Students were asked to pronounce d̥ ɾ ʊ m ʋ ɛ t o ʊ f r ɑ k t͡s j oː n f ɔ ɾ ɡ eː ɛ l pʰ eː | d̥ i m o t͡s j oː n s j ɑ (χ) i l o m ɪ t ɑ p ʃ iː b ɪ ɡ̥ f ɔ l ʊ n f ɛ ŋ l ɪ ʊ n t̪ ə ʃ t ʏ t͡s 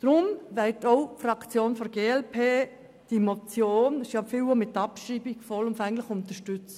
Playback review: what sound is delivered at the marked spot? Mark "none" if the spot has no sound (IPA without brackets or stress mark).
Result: f